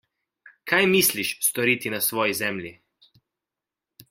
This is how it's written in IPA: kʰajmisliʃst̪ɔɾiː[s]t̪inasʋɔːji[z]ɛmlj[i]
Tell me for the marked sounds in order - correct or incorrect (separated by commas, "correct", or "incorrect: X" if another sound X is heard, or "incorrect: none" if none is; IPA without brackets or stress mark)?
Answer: incorrect: none, correct, correct